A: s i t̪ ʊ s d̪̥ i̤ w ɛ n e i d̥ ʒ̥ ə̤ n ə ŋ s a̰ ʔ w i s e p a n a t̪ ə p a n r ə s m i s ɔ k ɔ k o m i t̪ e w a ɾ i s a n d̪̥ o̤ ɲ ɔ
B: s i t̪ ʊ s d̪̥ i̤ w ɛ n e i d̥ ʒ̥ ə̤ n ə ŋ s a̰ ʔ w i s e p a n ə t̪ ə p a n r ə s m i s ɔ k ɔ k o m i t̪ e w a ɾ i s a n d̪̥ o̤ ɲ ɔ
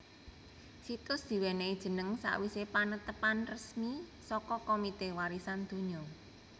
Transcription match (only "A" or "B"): B